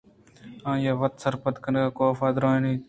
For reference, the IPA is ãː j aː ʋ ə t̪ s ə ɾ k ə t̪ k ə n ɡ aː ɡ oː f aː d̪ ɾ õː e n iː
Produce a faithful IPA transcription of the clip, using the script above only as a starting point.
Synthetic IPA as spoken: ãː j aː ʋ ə t̪ s ə ɾ p ə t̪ k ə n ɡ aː k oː f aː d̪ ɾ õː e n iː